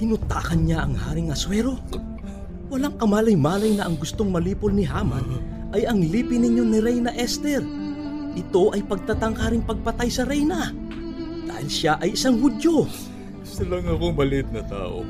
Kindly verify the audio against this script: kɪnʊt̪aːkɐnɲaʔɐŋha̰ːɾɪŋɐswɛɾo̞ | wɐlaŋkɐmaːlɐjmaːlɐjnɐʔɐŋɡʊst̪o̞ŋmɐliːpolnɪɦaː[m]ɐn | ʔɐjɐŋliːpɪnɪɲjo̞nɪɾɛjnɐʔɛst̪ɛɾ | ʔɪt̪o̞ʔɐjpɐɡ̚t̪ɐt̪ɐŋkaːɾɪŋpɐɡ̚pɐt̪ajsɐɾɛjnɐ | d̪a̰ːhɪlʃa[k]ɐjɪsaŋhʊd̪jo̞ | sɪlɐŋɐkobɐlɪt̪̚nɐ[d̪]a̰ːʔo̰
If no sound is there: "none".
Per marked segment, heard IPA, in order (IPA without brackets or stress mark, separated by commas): m, ʔ, t̪